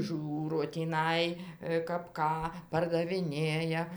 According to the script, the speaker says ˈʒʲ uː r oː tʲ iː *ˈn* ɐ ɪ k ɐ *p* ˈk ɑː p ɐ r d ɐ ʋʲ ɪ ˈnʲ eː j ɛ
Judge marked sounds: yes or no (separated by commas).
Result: yes, yes